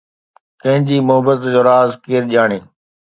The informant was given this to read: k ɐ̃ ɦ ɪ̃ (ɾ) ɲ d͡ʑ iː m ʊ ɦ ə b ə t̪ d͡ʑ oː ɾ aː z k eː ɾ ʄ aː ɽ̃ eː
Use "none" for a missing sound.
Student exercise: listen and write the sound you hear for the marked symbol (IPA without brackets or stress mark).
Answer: none